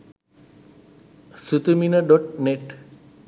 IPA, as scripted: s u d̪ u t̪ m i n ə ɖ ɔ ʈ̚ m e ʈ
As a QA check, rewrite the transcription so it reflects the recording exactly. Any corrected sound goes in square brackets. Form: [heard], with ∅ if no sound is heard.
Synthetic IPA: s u [t̪] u [∅] m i n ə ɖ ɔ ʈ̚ [n] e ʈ